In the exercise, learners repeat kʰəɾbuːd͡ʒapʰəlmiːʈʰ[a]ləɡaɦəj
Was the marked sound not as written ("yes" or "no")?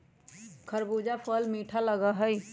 no